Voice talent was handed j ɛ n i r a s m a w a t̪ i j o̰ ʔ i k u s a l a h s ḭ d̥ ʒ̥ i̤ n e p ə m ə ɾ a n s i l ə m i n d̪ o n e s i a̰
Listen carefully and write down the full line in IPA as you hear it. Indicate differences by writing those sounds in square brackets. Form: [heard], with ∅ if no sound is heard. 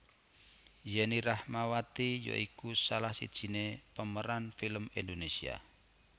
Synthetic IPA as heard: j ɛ n i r a [h] m a w a t̪ i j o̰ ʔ i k u s a l a h s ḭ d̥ ʒ̥ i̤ n e p ə m ə ɾ a n [f] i l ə m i n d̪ o n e s i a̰